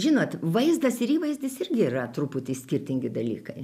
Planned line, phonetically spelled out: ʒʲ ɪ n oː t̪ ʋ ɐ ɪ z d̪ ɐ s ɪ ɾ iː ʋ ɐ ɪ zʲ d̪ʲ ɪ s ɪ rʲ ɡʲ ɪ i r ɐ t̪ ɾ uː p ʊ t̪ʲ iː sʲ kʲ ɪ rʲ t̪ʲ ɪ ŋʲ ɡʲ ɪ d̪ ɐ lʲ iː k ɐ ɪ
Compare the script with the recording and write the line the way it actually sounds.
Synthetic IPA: ʒʲ ɪ n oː t̪ ʋ ɐ ɪ z d̪ ɐ s ɪ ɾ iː ʋ ɐ ɪ zʲ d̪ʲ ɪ s ɪ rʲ ɡʲ ɪ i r ɐ t̪ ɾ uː p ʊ t̪ʲ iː sʲ kʲ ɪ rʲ t̪ʲ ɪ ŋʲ ɡʲ ɪ d̪ ɐ lʲ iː k ɐ ɪ